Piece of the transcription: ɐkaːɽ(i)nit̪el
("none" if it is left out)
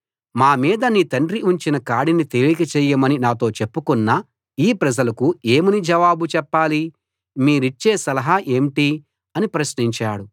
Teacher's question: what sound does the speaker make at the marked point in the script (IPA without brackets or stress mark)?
i